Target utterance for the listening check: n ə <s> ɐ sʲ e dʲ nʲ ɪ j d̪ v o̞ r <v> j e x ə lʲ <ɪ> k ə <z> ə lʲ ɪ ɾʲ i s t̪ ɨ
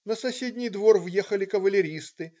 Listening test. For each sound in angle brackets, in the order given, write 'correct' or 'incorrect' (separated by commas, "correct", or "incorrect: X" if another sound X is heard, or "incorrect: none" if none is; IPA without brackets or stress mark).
correct, correct, correct, incorrect: v